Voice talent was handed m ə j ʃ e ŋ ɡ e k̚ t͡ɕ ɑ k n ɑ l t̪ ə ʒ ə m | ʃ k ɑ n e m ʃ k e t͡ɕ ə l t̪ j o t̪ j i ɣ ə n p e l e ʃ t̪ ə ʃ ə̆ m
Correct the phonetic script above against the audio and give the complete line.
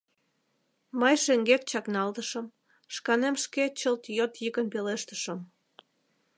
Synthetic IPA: m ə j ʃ e ŋ ɡ e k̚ t͡ɕ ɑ k n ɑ l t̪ ə ʃ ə m | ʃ k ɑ n e m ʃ k e t͡ɕ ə l t̪ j o t̪ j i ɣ ə n p e l e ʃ t̪ ə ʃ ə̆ m